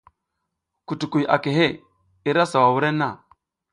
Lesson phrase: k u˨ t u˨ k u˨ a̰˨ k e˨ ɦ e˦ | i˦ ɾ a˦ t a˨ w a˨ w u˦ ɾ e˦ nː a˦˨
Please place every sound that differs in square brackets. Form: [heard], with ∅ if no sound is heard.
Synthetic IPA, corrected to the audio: k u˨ t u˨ k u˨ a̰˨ k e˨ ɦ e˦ | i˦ ɾ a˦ [s] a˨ w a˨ w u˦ ɾ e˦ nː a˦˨